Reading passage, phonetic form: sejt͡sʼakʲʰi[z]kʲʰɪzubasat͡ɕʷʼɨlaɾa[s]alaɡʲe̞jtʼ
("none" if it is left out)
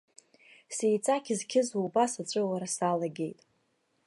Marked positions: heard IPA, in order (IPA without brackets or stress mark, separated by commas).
z, s